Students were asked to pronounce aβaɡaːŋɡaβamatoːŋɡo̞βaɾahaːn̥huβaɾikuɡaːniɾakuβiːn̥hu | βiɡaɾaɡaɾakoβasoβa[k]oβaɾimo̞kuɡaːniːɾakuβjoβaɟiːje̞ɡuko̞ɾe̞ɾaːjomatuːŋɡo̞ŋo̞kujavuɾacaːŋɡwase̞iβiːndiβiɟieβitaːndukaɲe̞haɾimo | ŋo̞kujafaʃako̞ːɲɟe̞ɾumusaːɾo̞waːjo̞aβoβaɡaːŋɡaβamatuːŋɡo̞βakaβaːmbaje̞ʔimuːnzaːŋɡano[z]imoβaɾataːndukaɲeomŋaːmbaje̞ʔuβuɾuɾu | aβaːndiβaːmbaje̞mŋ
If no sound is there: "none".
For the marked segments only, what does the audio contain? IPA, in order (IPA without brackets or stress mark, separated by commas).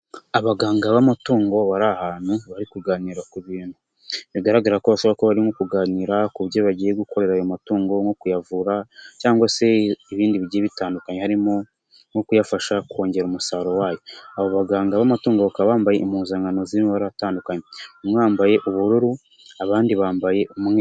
k, z